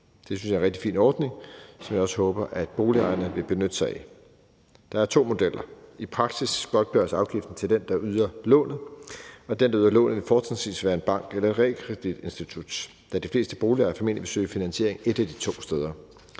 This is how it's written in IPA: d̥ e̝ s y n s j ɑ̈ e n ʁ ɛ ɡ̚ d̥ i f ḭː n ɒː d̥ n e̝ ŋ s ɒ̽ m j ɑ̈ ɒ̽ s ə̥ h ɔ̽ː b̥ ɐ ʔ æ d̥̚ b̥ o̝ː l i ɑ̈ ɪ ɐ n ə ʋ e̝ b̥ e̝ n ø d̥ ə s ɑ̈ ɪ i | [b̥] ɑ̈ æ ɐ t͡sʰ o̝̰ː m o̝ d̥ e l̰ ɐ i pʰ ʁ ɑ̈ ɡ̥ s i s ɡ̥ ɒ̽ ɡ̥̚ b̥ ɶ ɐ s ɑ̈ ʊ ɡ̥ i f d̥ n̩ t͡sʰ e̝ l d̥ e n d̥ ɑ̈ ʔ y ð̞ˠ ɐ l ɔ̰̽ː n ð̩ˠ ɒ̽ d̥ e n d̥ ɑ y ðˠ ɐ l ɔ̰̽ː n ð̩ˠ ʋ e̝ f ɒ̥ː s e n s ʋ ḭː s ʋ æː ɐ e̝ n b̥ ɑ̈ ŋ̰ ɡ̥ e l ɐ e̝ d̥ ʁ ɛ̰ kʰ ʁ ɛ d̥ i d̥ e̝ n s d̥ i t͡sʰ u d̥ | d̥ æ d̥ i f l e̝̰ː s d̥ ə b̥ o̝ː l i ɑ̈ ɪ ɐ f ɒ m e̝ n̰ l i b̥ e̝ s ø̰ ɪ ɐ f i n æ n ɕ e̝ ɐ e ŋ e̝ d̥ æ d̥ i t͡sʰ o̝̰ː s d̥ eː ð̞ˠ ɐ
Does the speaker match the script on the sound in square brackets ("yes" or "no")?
no